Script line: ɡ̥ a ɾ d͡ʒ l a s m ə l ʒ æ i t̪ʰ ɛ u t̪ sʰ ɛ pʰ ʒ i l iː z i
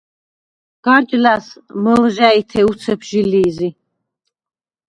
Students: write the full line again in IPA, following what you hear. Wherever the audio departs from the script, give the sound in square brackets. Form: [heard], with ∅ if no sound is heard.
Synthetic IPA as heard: ɡ̥ a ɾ d͡ʒ l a s m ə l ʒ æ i t̪ʰ ɛ u t̪ sʰ ɛ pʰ ʒ i l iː z i